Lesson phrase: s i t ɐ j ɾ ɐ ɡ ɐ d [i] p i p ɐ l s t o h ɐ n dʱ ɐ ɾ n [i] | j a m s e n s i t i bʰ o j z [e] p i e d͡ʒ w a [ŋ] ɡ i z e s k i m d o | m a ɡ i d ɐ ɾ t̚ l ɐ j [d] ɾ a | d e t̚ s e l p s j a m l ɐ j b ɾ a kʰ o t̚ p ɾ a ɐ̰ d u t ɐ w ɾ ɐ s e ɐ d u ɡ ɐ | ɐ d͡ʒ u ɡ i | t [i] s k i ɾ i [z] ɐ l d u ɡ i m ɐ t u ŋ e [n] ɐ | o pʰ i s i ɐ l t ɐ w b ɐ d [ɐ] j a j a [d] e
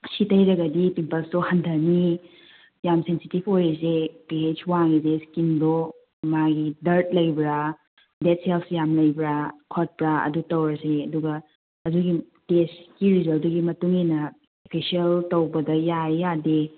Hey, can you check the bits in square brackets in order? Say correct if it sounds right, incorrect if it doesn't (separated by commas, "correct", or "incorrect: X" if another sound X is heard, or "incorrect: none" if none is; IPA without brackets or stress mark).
correct, correct, correct, correct, incorrect: b, incorrect: e, correct, correct, correct, correct